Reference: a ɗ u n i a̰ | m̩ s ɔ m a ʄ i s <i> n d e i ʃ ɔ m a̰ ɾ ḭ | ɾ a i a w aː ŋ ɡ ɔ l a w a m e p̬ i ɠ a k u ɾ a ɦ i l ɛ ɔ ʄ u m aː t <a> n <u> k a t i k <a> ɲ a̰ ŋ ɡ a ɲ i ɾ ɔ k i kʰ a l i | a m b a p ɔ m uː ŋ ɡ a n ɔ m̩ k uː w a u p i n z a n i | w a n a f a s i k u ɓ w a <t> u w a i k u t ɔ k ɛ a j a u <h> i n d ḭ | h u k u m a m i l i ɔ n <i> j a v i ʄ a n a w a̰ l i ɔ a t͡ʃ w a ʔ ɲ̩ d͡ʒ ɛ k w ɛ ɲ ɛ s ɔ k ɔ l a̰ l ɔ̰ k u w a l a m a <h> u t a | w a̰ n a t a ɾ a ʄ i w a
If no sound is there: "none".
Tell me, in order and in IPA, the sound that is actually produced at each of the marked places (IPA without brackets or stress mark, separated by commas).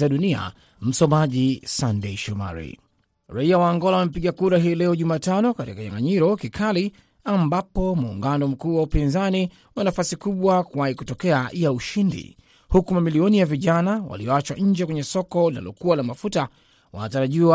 a, a, ɔ, a, k, ʃ, i, f